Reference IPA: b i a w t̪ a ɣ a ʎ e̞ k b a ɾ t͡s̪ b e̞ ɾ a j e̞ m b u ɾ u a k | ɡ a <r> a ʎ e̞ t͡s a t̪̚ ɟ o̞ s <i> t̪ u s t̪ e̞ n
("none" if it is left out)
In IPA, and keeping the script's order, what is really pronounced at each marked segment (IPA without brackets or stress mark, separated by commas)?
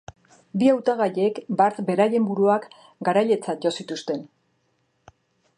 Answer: ɾ, i